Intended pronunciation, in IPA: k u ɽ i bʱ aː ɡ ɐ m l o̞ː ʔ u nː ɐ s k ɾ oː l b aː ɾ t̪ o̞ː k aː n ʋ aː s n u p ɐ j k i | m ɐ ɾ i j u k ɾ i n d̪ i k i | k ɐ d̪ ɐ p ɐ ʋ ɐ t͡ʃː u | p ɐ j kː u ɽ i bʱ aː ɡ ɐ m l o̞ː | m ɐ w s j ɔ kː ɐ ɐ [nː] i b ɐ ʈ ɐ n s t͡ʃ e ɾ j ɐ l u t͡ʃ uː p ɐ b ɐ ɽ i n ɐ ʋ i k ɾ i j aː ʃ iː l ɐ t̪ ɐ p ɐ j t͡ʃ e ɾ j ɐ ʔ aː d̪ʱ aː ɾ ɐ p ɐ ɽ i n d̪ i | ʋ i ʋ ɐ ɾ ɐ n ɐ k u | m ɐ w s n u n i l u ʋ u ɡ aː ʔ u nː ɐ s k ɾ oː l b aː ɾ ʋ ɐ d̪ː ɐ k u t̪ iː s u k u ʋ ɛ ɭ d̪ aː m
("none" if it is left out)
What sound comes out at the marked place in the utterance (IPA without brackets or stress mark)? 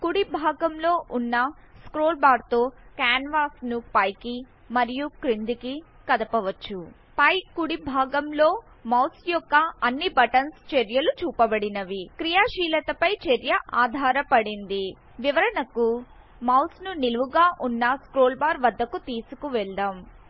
nː